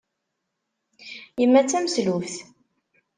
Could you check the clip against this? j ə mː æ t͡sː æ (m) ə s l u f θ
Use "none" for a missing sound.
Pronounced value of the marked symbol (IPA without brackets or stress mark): m